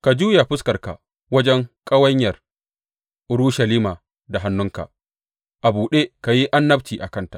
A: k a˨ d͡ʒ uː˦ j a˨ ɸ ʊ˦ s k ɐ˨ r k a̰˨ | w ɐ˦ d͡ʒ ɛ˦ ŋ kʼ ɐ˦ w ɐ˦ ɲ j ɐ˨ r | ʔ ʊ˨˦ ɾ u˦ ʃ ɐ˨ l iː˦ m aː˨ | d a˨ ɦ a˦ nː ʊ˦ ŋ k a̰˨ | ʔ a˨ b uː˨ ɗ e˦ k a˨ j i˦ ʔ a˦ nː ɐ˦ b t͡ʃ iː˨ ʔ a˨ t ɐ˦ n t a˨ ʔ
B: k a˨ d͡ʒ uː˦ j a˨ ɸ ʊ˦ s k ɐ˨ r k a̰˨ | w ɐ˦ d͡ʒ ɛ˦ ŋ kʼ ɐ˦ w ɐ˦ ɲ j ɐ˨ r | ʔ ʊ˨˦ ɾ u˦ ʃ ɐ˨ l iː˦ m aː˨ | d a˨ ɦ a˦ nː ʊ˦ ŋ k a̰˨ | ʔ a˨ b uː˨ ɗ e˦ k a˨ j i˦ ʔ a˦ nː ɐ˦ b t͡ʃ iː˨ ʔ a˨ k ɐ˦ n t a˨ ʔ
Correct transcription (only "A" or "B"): B